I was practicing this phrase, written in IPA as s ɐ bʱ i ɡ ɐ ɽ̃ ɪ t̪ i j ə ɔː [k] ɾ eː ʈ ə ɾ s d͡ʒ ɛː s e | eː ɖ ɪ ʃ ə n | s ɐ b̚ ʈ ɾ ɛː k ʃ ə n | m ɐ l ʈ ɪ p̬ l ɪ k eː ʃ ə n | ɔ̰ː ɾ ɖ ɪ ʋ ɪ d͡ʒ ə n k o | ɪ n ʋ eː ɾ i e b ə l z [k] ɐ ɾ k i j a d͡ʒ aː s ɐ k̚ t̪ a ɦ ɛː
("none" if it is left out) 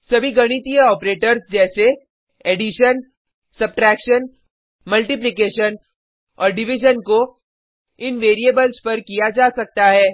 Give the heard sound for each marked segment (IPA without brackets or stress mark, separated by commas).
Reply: p, p